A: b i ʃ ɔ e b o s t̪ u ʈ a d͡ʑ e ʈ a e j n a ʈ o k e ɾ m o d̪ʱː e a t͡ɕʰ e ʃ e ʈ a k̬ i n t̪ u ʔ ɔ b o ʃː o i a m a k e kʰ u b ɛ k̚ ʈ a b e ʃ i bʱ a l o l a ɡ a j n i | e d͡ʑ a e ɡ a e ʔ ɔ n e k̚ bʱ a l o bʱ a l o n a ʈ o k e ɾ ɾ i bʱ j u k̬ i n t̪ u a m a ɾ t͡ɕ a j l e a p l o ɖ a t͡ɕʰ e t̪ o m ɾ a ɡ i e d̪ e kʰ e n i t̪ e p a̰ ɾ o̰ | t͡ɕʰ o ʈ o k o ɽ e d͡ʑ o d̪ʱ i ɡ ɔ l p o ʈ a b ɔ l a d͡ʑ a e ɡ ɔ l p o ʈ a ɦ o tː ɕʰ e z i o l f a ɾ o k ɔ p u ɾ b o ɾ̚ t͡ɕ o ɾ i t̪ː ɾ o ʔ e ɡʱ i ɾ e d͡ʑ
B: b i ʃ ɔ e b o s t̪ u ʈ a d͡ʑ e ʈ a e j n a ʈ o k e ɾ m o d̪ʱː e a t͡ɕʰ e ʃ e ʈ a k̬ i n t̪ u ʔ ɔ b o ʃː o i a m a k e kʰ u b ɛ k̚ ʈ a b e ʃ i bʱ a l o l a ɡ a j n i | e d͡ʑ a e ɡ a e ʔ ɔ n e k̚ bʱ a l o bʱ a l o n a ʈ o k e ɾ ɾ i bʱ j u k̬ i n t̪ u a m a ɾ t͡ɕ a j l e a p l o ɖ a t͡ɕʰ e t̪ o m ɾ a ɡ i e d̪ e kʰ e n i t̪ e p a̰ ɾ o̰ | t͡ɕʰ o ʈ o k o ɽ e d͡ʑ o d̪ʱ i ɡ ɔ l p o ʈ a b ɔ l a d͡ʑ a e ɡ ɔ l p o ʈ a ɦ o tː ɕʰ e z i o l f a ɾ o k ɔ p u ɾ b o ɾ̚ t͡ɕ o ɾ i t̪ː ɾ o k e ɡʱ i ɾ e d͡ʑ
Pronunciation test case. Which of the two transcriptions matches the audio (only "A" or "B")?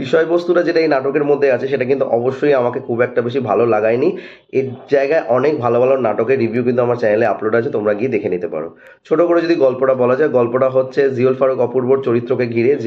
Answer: B